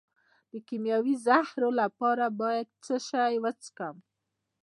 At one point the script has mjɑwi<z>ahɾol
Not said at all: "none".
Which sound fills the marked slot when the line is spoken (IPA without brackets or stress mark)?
z